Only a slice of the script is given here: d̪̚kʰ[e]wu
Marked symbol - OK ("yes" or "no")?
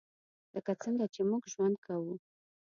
no